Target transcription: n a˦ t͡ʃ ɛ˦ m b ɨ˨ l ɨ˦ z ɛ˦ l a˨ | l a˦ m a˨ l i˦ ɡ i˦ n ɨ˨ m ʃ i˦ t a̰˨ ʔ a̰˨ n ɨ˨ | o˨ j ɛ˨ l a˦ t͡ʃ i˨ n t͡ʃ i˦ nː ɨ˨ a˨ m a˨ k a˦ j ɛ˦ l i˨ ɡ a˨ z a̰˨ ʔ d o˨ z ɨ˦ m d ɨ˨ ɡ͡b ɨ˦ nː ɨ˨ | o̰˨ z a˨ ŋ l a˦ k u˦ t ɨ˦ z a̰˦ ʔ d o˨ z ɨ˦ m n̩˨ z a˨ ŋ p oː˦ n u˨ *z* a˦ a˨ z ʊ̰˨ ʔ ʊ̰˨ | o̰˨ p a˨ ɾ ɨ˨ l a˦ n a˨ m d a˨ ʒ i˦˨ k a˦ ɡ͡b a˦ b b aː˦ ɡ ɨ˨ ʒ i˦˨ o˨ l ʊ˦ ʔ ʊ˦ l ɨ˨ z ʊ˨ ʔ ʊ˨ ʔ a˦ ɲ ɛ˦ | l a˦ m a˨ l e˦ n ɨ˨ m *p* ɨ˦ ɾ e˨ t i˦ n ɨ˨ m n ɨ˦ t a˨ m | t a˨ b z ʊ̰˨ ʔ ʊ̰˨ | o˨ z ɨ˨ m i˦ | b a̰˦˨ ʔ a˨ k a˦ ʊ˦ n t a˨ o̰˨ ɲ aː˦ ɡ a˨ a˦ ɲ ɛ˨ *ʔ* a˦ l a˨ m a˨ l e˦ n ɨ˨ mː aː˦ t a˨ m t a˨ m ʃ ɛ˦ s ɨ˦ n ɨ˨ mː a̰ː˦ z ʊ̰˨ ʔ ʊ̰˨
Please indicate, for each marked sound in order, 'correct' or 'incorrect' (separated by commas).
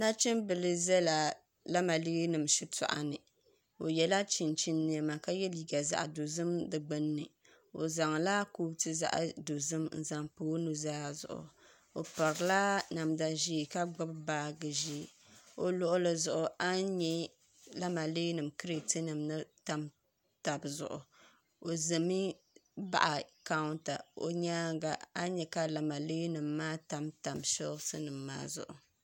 correct, incorrect, incorrect